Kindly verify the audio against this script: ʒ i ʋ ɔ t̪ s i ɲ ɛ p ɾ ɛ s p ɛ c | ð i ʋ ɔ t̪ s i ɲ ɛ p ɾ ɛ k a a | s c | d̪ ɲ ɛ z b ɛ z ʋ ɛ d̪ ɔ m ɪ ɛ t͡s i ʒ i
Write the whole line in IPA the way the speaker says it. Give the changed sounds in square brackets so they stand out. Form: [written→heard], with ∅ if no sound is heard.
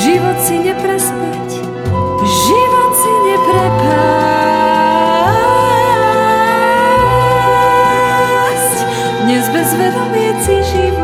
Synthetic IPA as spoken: ʒ i ʋ ɔ t̪ s i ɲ ɛ p ɾ ɛ s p ɛ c | [ð→ʒ] i ʋ ɔ t̪ s i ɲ ɛ p ɾ ɛ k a a | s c | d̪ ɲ ɛ z b ɛ z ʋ ɛ d̪ ɔ m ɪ ɛ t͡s i ʒ i